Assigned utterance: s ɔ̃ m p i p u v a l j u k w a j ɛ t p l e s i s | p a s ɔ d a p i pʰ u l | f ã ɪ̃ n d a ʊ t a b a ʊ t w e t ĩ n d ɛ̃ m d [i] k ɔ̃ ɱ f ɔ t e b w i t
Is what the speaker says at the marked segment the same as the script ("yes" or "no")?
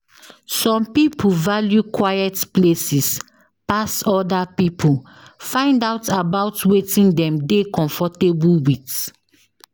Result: no